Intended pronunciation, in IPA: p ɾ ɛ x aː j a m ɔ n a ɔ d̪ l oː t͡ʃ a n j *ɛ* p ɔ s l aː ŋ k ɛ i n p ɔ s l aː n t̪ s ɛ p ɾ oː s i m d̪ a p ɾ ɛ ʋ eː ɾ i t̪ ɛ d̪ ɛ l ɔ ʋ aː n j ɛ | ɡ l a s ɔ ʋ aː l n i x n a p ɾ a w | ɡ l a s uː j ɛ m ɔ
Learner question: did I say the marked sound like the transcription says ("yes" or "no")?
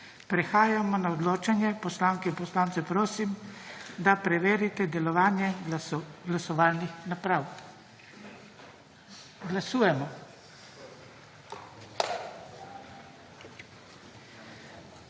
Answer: yes